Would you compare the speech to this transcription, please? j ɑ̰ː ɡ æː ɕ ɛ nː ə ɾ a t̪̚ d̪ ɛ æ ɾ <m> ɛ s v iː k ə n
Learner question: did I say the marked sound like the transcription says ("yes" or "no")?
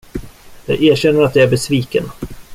no